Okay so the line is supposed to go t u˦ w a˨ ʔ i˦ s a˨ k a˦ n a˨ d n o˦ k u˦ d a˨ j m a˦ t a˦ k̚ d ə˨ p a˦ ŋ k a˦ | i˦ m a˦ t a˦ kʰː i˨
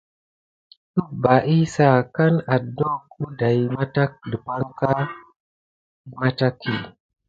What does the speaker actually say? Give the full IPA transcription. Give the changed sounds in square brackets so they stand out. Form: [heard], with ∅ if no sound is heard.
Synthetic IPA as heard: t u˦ [b] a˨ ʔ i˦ s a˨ k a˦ n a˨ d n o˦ k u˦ d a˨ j m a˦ t a˦ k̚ d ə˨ p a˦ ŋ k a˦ | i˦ m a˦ t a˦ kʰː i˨